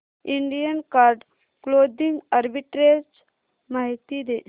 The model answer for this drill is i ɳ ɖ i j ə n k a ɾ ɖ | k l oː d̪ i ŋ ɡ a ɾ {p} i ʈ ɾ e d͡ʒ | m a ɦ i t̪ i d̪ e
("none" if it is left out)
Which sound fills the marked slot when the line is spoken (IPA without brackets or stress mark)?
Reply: b